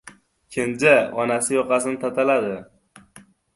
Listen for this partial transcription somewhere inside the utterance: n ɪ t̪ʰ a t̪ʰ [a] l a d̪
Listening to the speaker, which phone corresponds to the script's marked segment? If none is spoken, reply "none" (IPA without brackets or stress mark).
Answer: a